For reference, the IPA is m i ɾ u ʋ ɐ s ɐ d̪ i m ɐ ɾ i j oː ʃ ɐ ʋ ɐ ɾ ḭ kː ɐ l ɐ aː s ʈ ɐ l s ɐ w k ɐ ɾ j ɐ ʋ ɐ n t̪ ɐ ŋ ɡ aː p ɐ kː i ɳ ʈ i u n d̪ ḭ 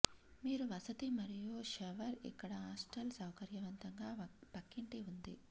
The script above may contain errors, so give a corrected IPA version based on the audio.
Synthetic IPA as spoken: m iː ɾ u ʋ ɐ s ɐ t̪ i m ɐ ɾ i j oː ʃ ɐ ʋ ɐ ɾ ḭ kː ɐ ɽ ɐ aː s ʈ ɐ l s ɐ w k ɐ ɾ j ɐ ʋ ɐ n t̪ ɐ ŋ ɡ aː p ɐ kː i ɳ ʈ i u n d̪ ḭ